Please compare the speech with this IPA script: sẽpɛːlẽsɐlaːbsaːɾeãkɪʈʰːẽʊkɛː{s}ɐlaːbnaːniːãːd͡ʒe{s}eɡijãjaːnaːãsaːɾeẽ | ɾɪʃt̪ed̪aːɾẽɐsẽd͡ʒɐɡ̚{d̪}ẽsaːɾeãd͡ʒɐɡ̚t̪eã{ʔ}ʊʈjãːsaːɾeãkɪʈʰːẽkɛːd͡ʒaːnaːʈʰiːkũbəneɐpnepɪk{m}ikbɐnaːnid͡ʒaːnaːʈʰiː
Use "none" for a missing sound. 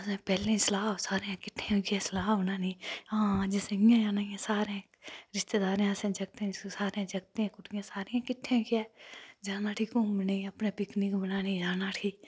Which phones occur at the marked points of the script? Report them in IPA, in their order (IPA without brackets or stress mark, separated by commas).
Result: s, s, t̪, k, n